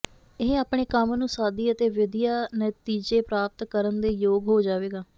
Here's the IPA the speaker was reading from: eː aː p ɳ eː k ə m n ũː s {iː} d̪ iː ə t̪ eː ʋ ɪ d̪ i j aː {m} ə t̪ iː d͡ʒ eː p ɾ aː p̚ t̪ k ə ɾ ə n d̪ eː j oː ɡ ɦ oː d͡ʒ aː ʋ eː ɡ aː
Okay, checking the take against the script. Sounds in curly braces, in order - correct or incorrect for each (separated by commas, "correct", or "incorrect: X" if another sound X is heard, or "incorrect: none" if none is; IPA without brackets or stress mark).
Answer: incorrect: aː, incorrect: n